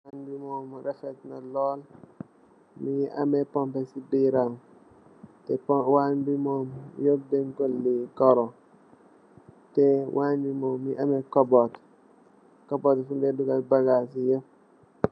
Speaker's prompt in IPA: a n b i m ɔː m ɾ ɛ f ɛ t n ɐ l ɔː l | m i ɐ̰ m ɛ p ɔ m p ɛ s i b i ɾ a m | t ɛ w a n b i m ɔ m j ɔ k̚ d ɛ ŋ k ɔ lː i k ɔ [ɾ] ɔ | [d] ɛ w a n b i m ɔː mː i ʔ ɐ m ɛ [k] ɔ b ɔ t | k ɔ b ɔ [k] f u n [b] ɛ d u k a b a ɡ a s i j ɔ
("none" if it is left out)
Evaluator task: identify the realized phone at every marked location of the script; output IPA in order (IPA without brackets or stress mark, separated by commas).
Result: ɾ, t, k, t, d